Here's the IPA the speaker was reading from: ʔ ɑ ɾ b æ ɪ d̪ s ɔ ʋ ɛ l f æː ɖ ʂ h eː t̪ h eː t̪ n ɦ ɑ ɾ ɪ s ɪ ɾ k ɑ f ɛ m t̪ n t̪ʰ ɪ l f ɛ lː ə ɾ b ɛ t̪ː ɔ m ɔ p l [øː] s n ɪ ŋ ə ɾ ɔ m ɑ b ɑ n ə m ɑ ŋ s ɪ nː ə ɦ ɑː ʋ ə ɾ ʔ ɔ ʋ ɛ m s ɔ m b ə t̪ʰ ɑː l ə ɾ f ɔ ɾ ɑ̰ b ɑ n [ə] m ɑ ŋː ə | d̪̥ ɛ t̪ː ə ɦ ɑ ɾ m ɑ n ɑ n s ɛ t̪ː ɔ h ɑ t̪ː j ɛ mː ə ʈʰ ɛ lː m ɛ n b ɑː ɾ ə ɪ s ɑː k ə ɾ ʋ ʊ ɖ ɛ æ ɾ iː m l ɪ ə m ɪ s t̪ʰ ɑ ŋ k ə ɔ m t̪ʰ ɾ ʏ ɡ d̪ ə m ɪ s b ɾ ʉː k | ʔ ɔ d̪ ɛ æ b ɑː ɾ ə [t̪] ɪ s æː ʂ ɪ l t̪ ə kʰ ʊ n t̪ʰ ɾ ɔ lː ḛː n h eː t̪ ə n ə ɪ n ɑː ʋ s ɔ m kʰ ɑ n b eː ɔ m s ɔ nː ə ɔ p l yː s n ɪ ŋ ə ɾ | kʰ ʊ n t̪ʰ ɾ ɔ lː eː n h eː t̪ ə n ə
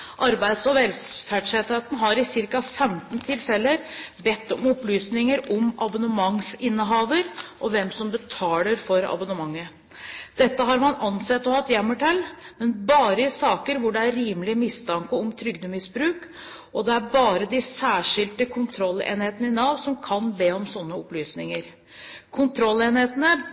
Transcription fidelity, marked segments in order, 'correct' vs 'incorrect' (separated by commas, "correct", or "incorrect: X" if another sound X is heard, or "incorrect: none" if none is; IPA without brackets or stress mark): incorrect: yː, correct, incorrect: d̪